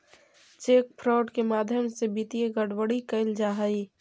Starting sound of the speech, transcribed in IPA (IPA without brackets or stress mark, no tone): t͡ʃ